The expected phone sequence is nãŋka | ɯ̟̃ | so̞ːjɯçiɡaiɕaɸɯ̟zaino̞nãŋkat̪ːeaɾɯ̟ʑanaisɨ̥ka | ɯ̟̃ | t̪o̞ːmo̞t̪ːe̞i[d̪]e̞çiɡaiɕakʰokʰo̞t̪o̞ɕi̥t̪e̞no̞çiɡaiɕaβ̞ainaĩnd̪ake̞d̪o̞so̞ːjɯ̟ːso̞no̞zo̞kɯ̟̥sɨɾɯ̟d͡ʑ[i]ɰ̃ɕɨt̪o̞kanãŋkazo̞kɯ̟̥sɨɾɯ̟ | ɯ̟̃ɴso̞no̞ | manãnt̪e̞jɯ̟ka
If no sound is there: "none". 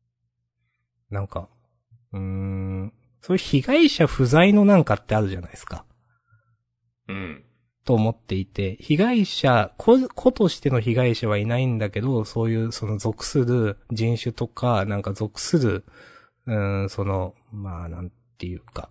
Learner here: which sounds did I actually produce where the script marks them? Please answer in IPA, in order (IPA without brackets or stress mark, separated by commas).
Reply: t̪, ĩ